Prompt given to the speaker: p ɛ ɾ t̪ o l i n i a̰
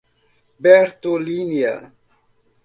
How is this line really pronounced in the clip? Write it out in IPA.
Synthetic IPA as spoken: b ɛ ɾ t̪ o l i n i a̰